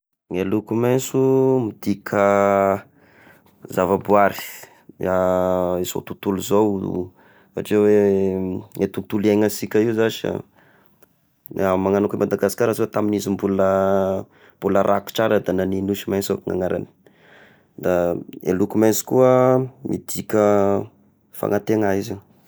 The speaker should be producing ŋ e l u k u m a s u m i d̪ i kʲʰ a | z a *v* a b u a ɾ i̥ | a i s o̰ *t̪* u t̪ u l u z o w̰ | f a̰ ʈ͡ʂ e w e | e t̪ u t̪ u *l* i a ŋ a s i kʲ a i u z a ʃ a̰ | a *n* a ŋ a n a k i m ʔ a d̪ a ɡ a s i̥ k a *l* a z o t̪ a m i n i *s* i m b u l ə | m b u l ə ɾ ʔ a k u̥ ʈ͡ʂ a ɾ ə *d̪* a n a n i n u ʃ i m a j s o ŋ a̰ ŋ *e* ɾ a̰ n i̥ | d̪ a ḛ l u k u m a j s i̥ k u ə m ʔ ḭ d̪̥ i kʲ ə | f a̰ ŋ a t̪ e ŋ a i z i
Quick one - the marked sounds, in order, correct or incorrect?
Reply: correct, correct, correct, incorrect, incorrect, incorrect, correct, incorrect

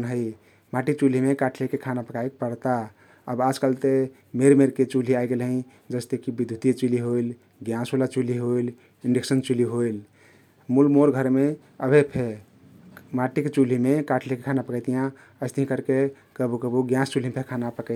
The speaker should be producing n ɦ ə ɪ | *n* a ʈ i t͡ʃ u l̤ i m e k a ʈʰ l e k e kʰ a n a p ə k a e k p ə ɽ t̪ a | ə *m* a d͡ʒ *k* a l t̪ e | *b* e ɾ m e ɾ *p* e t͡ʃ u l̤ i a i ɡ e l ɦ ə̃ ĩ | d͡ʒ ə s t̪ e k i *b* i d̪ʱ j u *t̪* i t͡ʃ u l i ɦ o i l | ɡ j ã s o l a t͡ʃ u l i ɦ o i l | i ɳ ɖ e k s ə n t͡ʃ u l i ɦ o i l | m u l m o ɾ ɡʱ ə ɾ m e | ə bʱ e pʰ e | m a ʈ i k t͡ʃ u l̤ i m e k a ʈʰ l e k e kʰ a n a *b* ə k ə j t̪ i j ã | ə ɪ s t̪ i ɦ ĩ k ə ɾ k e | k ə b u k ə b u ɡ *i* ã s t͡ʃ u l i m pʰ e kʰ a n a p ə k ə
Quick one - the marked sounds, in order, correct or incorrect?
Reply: incorrect, incorrect, correct, incorrect, incorrect, correct, correct, incorrect, incorrect

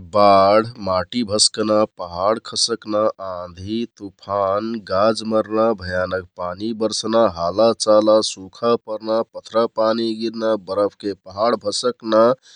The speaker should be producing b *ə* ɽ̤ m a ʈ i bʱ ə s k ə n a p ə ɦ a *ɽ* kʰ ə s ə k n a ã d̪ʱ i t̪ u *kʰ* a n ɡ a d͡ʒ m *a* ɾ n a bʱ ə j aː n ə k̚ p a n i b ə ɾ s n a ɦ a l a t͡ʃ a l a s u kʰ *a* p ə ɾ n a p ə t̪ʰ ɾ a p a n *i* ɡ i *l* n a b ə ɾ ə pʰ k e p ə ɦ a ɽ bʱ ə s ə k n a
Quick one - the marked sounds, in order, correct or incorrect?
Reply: incorrect, correct, incorrect, incorrect, correct, correct, incorrect

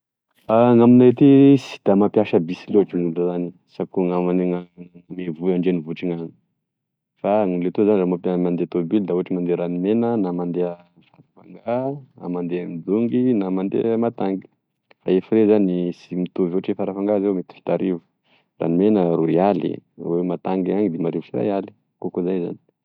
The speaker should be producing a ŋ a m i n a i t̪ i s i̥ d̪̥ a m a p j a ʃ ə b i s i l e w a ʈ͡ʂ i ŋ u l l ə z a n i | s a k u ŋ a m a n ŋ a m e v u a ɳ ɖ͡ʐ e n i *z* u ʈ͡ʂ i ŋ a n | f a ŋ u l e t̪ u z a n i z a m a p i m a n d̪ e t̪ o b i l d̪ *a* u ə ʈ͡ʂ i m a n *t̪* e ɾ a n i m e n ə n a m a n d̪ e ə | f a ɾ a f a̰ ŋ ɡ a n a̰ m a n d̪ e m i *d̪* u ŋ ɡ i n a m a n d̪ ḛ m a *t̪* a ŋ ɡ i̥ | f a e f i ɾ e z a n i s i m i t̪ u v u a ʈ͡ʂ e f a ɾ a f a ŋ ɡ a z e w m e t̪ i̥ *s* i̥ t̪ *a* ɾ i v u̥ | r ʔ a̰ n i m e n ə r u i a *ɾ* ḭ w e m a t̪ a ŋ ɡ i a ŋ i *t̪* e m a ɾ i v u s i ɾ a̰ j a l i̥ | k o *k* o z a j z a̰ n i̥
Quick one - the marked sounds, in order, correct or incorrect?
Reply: incorrect, correct, incorrect, correct, correct, incorrect, correct, incorrect, incorrect, correct

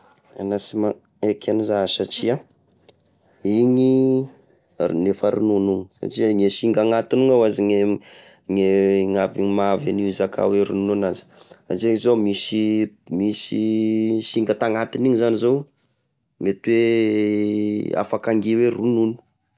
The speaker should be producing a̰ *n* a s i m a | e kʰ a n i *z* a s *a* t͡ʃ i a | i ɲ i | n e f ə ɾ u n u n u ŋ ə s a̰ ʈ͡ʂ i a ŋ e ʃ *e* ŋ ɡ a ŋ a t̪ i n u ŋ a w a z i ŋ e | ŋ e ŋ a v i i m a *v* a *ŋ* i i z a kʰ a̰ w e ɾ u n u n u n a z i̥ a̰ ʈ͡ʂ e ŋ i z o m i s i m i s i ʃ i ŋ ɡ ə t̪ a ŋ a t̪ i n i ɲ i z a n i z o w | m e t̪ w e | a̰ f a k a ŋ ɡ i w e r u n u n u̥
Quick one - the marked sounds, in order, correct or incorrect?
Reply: correct, correct, correct, incorrect, correct, incorrect

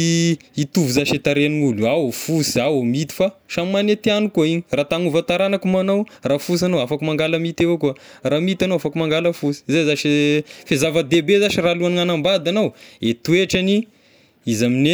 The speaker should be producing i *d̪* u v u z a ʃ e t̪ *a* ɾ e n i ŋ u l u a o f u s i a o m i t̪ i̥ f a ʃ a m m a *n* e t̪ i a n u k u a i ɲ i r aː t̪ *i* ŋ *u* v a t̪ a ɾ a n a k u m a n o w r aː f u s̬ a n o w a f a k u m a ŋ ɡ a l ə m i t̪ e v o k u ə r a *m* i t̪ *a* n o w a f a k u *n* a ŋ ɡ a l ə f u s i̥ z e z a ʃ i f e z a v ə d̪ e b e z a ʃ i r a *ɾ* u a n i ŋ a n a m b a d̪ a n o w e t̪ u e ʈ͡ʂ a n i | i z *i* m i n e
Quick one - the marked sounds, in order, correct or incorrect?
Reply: incorrect, correct, correct, incorrect, correct, correct, correct, incorrect, incorrect, incorrect

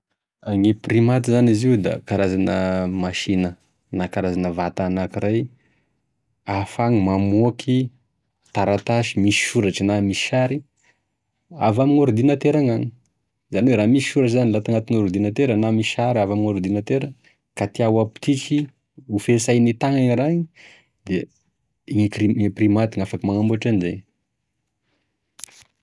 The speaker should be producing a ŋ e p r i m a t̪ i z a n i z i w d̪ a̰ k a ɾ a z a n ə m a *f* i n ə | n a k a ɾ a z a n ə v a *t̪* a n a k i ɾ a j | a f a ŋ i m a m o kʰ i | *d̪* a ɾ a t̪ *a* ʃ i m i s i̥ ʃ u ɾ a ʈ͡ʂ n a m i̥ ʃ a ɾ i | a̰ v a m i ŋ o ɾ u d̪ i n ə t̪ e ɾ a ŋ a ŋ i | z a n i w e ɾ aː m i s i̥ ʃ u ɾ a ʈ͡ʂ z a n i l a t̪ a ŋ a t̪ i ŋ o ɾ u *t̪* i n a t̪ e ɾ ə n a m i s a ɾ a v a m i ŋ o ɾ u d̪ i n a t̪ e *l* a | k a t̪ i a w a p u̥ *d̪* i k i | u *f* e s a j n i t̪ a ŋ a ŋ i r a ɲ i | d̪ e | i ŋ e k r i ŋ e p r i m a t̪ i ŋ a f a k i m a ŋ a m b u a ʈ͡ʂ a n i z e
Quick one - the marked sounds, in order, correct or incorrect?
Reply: incorrect, correct, incorrect, correct, incorrect, incorrect, incorrect, correct

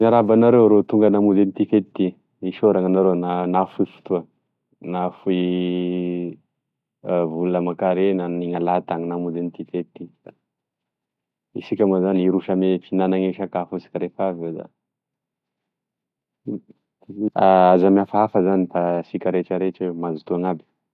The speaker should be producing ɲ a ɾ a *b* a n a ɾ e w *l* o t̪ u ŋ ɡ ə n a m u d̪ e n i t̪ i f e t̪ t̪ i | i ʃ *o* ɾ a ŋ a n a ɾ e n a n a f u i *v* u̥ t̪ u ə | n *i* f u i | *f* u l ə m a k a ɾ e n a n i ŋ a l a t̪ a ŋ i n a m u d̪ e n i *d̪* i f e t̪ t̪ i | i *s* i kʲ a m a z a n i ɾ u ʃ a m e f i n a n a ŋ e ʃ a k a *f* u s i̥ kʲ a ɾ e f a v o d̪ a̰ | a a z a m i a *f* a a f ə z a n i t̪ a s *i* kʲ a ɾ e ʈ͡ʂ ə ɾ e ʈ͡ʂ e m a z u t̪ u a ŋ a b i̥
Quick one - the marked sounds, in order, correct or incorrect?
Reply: correct, incorrect, correct, incorrect, incorrect, incorrect, incorrect, correct, correct, correct, correct

